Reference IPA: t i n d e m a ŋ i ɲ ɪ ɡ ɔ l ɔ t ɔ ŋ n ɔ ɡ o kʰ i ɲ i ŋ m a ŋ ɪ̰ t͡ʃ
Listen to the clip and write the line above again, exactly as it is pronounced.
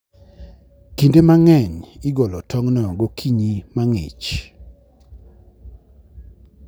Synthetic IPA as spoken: k i n d e m a ŋ ɛ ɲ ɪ ɡ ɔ l ɔ t ɔ ŋ n ɔ ɡ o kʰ i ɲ i m a ŋ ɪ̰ t͡ʃ